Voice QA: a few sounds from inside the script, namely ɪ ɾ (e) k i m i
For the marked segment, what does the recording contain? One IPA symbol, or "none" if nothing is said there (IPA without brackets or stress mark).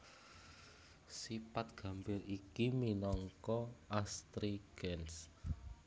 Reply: i